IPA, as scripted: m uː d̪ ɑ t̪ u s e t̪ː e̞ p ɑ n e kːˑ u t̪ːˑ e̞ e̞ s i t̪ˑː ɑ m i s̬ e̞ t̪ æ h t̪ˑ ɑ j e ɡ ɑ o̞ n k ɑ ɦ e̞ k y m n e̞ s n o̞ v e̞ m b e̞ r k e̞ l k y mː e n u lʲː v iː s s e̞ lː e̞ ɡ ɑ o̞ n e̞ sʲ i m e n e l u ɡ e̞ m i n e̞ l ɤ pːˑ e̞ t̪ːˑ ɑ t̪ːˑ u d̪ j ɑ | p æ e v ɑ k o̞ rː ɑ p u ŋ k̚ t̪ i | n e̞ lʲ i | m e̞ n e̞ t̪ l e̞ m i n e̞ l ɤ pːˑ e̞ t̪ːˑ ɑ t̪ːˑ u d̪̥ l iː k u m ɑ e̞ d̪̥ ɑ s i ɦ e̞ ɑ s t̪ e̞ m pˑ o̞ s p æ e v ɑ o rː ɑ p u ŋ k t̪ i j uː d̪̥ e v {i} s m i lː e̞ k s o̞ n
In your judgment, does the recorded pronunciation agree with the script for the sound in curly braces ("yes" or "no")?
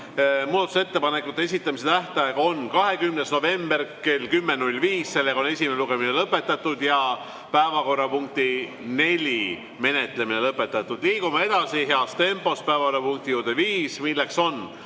no